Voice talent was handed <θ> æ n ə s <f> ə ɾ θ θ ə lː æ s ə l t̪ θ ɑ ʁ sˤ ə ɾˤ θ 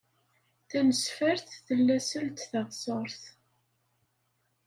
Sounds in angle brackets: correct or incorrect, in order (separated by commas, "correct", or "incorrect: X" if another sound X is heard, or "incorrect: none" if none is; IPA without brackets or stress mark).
correct, correct